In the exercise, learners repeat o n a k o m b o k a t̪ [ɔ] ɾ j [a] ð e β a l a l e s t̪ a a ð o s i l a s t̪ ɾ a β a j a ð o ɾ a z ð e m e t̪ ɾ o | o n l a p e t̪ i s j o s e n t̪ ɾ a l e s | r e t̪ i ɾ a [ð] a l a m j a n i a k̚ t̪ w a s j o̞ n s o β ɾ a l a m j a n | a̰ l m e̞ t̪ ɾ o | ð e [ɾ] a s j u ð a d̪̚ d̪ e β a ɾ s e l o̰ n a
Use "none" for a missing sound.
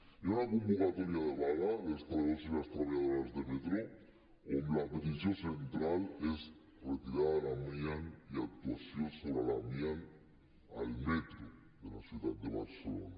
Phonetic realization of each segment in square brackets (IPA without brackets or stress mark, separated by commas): o, a, ð, l